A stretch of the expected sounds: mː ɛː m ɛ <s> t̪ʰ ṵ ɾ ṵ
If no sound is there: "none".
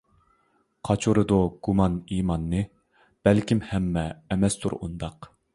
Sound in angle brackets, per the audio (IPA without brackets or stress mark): s